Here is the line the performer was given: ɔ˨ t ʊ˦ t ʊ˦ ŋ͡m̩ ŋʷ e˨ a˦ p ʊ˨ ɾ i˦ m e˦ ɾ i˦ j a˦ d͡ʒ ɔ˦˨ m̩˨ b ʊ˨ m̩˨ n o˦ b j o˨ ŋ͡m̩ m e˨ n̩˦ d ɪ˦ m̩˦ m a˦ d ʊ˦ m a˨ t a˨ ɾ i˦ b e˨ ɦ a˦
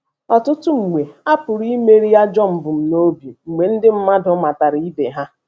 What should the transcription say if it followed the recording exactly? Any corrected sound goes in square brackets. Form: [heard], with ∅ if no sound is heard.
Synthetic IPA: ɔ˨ t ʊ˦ t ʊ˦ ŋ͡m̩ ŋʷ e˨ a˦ p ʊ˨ ɾ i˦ m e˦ ɾ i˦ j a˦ d͡ʒ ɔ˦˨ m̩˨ b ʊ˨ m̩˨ n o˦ b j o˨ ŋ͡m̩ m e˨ n̩˦ d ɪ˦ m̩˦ m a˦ d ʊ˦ m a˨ t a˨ ɾ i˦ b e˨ ɦ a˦